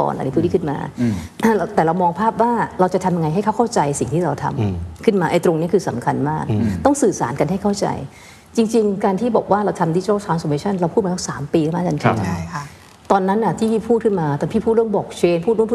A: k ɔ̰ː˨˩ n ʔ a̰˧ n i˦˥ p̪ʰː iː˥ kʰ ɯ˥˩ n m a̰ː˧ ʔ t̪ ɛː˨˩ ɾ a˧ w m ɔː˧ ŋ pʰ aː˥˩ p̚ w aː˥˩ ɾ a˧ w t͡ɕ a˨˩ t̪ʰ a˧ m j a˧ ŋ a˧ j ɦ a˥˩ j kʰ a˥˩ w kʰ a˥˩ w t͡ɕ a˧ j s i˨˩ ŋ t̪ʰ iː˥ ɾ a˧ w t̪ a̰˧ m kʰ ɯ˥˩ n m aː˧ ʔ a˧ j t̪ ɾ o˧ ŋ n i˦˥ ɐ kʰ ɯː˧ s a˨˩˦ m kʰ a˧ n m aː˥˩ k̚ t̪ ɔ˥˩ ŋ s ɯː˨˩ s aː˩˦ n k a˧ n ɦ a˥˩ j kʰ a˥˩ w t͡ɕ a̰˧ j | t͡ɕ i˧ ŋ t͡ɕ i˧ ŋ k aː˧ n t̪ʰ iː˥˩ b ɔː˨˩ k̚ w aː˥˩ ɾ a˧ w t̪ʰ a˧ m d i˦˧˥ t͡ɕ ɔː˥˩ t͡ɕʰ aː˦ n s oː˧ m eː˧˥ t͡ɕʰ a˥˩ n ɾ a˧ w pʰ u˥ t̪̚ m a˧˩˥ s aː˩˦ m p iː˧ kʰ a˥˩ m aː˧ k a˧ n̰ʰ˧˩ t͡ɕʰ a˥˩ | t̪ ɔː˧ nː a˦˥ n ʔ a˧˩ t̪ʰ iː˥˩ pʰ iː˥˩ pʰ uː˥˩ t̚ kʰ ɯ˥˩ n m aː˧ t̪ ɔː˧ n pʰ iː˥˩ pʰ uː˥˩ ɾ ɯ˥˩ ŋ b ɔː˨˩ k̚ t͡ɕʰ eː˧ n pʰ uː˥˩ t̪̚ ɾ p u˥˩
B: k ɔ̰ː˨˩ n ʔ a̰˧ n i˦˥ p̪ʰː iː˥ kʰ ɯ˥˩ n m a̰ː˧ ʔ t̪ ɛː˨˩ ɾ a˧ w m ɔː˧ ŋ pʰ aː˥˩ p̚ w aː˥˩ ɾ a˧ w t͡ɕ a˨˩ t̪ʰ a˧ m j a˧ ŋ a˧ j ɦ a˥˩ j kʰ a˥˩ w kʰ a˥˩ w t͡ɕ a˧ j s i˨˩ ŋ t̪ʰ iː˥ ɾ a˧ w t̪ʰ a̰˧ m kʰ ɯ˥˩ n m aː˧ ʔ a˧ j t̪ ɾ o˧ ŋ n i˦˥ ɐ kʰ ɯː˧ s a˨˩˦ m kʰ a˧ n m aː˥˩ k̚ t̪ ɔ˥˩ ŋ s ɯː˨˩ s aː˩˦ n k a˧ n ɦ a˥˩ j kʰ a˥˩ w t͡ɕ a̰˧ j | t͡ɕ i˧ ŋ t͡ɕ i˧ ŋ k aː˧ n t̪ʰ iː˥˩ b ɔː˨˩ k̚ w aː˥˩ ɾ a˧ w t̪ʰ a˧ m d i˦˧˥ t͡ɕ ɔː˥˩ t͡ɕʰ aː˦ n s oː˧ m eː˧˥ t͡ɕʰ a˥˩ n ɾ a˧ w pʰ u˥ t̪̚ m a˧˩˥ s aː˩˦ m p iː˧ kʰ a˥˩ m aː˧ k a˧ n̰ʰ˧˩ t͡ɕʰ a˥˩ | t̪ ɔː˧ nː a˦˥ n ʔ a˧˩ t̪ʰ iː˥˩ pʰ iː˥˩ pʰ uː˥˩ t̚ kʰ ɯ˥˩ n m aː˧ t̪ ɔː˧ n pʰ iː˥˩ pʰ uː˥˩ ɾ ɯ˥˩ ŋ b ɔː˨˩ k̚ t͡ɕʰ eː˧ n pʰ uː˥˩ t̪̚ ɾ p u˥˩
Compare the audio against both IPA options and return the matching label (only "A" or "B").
B